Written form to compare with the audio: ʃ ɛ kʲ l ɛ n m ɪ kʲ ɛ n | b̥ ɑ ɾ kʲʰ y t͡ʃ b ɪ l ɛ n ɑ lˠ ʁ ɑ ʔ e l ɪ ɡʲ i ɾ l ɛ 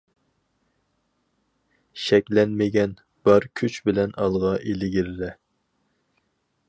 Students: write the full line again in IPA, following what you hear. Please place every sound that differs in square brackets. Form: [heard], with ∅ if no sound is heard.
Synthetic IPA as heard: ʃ ɛ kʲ l ɛ n m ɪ [ɡʲ] ɛ n | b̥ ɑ ɾ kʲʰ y t͡ʃ b ɪ l ɛ n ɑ lˠ ʁ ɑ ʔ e l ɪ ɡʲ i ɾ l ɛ